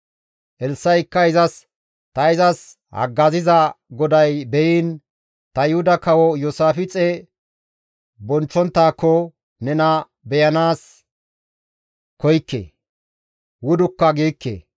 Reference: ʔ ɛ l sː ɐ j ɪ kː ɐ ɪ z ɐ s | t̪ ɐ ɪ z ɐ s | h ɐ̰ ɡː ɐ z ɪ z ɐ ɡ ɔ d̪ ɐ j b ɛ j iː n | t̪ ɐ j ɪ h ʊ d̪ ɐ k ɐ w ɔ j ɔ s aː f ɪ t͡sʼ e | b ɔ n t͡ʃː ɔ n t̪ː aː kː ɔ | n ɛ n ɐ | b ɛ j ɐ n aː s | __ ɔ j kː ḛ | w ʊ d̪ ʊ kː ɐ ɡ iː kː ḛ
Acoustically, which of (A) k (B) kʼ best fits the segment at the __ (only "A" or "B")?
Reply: A